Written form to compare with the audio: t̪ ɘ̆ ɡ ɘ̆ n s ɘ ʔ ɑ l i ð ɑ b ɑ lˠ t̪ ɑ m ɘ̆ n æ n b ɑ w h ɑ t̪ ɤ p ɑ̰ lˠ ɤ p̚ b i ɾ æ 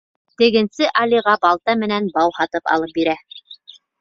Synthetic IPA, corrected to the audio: t̪ ɘ̆ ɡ ɘ̆ n s ɘ ʔ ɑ l i ʁ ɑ b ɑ lˠ t̪ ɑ m ɘ̆ n æ n b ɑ w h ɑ t̪ ɤ p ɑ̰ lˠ ɤ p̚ b i ɾ æ